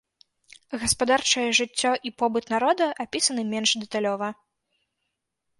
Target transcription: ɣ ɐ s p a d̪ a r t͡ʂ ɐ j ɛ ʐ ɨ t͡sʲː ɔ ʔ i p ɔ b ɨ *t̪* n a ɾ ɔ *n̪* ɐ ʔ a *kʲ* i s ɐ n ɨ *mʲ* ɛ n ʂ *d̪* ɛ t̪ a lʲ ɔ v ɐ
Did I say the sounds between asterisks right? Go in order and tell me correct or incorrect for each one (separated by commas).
correct, incorrect, incorrect, correct, correct